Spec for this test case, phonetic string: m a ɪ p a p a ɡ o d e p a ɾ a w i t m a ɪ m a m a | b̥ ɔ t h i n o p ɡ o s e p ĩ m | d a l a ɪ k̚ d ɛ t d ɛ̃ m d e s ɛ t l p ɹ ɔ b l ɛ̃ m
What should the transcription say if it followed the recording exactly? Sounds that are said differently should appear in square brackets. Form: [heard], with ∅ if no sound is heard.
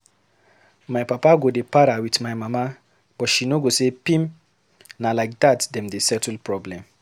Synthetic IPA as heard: m a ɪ p a p a ɡ o d e p a ɾ a w i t m a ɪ m a m a | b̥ ɔ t [ʃ] i n o [∅] ɡ o s e p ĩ m | [n] a l a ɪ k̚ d [a] t d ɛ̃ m d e s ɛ t l p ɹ ɔ b l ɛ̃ m